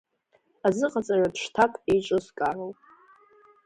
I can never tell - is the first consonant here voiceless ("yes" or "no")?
no